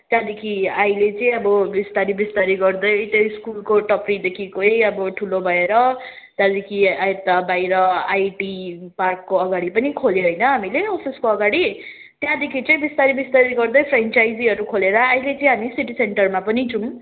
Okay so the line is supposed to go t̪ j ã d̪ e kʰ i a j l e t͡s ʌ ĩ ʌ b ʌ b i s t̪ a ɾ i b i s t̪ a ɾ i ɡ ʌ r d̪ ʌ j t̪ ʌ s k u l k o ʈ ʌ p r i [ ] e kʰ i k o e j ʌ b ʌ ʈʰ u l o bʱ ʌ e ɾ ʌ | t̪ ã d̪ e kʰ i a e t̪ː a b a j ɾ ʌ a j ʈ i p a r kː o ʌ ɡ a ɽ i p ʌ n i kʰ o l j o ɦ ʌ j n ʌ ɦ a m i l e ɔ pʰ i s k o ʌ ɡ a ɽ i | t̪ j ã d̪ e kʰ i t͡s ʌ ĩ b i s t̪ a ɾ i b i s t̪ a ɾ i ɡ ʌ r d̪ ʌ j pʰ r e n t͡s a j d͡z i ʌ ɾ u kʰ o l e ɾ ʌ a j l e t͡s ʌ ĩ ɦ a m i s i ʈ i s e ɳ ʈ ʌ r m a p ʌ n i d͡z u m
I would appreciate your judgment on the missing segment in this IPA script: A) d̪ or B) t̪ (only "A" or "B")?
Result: A